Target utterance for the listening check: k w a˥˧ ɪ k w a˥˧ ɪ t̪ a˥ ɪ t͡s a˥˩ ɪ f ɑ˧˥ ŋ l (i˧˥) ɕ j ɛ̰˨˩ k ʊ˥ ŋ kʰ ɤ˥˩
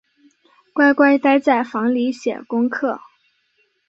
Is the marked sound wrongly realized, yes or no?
no